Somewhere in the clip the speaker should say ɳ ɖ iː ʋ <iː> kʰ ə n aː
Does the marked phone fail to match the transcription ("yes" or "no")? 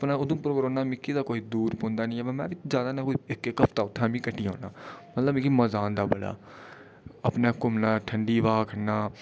yes